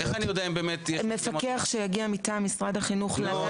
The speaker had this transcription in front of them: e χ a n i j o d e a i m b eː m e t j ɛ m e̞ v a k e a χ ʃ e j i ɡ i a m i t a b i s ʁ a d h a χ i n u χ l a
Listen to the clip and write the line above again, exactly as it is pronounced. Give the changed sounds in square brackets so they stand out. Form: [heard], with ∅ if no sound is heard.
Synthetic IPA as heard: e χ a n i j o d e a i m b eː m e t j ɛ m e̞ [f] a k e a χ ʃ e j [a] ɡ i a m i t a [m] i s ʁ a d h a χ i n u χ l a